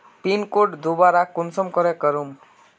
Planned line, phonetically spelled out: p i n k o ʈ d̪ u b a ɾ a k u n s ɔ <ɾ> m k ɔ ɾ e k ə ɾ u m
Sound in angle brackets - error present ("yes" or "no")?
yes